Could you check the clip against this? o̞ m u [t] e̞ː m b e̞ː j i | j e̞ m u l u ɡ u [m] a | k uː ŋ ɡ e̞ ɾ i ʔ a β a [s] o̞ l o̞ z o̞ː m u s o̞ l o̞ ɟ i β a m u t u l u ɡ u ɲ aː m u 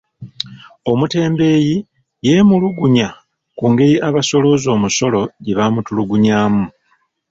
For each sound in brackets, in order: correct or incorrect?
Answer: correct, incorrect, correct

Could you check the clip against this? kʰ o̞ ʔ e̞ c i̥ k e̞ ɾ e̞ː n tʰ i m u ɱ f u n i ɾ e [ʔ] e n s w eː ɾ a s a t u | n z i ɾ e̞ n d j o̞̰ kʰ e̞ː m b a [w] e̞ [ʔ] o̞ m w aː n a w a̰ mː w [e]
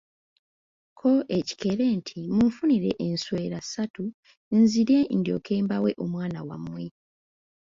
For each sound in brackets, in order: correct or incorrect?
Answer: correct, correct, correct, correct

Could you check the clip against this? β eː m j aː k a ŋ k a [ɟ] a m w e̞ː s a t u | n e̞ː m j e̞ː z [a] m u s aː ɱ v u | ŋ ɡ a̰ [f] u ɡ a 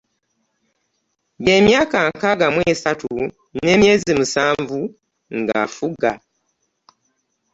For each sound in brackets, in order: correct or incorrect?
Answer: incorrect, incorrect, correct

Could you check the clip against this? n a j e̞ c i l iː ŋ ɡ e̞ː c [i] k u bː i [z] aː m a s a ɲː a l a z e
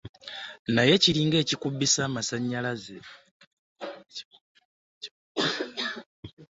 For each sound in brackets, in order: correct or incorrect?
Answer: correct, incorrect

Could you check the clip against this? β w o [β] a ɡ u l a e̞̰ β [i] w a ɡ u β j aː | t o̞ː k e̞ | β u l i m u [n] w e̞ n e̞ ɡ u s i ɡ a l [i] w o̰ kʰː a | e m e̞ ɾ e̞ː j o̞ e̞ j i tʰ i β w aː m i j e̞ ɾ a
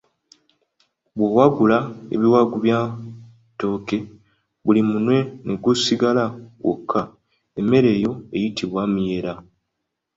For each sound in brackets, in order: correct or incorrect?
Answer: incorrect, correct, correct, incorrect

